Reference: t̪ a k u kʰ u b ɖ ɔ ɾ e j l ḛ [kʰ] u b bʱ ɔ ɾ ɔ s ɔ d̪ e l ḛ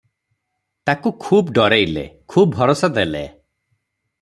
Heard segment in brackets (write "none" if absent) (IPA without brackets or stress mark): kʰ